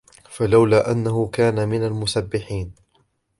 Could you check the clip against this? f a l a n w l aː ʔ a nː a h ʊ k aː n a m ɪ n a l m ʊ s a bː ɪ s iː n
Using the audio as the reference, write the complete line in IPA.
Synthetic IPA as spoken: f a l a w l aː ʔ a nː a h ʊ k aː n a m ɪ n a l m ʊ s a bː ɪ ħ iː n

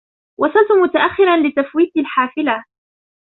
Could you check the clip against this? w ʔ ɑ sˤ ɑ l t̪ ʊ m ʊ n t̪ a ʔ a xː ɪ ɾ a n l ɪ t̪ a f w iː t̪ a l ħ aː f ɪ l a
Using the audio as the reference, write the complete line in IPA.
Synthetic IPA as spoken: w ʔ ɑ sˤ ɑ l t̪ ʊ m ʊ t̪ a ʔ a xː ɪ ɾ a n l ɪ t̪ a f w iː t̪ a l ħ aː f ɪ l a

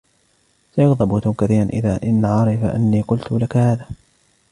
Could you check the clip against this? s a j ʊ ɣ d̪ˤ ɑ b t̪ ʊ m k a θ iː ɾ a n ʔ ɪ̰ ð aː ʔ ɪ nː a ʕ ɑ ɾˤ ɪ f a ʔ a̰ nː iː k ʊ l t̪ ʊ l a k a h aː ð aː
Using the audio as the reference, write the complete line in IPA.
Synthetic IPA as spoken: s a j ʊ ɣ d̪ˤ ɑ b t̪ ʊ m k a θ iː ɾ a n ʔ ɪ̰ ð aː ʔ ɪ nː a ʕ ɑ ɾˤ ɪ f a ʔ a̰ nː iː q ʊ l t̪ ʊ l a k a h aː ð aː

